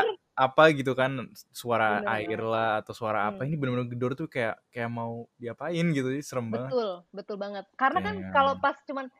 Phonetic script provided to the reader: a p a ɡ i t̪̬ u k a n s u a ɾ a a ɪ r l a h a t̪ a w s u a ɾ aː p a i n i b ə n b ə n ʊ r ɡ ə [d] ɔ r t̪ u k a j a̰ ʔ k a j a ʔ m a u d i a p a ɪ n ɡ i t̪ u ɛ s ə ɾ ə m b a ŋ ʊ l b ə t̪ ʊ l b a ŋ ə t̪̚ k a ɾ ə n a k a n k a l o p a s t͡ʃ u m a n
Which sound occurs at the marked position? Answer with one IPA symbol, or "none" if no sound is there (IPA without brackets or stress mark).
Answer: d